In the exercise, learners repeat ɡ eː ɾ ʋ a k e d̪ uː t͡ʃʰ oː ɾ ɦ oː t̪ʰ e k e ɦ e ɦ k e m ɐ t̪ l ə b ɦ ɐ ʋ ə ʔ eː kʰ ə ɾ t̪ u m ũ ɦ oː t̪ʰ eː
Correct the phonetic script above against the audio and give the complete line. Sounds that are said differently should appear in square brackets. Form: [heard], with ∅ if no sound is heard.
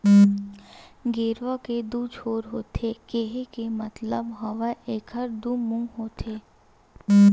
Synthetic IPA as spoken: ɡ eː ɾ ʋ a k e d̪ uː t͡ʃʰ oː ɾ ɦ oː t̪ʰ e k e ɦ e [∅] k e m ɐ t̪ l ə b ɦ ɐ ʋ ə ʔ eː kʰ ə ɾ [d̪] u m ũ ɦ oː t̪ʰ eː